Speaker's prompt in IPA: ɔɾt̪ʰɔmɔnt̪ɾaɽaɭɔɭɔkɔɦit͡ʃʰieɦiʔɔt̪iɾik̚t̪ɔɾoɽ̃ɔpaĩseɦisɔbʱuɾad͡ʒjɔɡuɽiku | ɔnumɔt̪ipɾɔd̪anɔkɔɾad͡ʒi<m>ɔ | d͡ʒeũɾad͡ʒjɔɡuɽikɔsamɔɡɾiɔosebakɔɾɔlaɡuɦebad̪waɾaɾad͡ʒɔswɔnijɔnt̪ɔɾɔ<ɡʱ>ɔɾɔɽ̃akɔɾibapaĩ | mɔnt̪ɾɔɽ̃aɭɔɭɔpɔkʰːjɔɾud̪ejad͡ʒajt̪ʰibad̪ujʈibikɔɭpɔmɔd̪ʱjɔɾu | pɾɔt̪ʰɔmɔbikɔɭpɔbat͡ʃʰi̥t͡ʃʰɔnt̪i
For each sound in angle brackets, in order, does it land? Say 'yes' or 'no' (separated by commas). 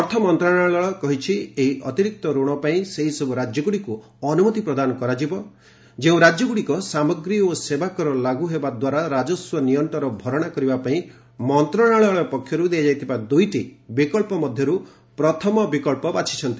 no, no